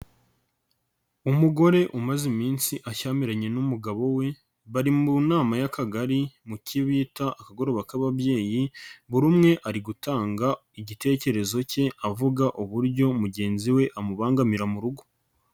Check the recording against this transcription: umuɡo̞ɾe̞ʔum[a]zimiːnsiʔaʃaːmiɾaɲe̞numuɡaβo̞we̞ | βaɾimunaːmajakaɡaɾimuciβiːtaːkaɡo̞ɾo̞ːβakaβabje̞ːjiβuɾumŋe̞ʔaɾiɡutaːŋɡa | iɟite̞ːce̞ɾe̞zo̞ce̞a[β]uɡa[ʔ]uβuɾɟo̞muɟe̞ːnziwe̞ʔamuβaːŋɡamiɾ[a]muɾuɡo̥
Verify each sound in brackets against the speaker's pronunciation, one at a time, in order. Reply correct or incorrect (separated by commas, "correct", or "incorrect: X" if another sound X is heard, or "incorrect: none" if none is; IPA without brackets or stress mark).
correct, incorrect: v, correct, correct